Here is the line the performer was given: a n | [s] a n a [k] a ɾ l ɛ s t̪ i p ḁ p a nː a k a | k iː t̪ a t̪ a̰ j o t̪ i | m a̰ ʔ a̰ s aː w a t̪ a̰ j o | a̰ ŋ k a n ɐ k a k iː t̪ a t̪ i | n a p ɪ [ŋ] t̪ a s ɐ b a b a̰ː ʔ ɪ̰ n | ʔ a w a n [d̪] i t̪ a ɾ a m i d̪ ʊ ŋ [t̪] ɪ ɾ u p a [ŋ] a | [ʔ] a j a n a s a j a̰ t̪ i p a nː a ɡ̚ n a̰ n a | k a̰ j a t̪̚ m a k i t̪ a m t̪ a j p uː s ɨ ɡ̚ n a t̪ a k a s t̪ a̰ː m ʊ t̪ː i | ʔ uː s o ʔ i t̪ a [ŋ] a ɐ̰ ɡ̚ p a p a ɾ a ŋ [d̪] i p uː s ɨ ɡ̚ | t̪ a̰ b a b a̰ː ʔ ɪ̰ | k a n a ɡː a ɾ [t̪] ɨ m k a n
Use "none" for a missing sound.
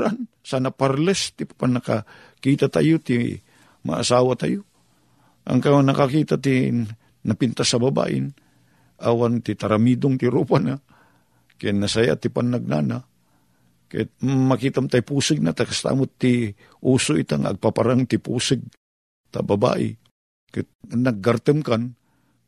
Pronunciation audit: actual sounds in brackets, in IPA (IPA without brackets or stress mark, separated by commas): s, p, n, t̪, t̪, n, k, ŋ, t̪, t̪